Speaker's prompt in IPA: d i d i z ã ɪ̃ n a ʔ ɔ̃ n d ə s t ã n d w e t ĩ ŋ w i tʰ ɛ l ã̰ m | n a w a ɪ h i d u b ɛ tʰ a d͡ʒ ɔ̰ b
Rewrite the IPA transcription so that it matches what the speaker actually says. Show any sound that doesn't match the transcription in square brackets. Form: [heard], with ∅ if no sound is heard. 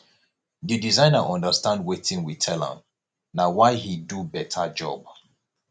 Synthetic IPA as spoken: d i d i z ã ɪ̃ n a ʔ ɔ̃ n d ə s t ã n d w e t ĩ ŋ w i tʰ ɛ l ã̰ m | n a w a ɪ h i d u b ɛ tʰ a d͡ʒ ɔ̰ b